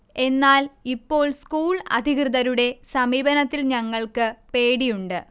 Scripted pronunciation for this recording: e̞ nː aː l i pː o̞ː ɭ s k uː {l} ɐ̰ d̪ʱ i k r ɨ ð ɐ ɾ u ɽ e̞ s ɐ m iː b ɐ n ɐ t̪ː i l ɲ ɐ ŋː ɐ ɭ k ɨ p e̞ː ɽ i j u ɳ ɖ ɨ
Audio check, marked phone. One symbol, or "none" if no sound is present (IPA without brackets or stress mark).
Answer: ɭ